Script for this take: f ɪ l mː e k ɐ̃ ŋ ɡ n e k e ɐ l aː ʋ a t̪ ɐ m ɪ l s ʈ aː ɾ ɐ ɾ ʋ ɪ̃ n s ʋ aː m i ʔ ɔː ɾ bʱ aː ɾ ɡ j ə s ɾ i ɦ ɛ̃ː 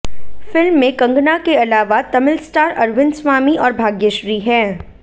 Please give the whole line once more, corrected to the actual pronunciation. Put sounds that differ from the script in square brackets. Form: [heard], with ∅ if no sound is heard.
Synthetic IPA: f ɪ l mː [ẽ] k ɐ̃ ŋ ɡ n [a] k e ɐ l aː ʋ a t̪ ɐ m ɪ l s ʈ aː ɾ ɐ ɾ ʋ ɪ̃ n s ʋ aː m i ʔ ɔː ɾ bʱ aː [∅] ɡ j ə [ʃ] ɾ i ɦ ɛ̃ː